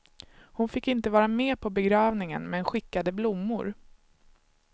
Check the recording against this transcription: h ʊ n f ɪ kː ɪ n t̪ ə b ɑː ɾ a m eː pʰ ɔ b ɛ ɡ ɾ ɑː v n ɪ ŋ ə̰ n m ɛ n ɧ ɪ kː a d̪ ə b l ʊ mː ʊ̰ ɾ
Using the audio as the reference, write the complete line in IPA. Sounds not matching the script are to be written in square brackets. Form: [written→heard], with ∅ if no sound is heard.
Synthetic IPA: h ʊ n f ɪ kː ɪ n t̪ ə [b→v] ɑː ɾ a m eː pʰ ɔ b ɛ ɡ ɾ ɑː v n ɪ ŋ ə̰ n m ɛ n ɧ ɪ kː a d̪ ə b l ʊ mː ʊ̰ ɾ